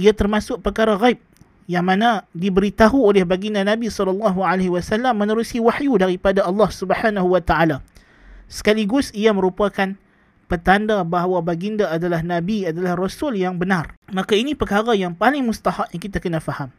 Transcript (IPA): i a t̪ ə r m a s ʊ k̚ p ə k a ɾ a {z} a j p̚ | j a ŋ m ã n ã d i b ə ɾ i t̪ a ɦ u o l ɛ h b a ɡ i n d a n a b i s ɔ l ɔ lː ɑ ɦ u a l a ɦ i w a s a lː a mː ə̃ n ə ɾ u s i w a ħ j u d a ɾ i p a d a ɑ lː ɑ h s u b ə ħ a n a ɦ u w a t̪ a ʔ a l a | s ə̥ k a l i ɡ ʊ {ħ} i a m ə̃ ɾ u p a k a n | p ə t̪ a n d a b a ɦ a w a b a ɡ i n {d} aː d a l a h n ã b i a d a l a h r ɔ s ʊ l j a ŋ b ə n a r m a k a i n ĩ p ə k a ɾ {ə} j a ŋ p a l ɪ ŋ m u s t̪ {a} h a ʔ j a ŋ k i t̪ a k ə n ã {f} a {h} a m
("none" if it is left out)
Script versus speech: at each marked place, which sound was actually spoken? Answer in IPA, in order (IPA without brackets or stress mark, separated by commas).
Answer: ɣ, s, d, a, a, f, h